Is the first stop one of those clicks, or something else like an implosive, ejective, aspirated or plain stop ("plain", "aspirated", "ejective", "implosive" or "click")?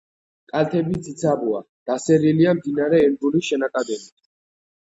ejective